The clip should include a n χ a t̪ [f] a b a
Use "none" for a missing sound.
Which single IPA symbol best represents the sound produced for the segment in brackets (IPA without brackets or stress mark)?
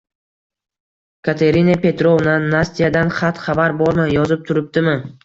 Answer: χ